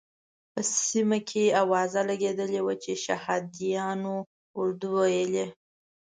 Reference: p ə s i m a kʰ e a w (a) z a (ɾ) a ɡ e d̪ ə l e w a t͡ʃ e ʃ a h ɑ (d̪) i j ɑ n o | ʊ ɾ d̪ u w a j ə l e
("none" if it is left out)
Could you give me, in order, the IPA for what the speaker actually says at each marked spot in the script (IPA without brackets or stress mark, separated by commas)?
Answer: ɑ, l, d̪